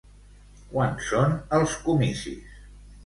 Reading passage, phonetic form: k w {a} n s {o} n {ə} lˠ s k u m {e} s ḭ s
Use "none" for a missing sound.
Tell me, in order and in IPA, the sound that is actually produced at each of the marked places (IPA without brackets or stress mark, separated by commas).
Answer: a, o, ə, i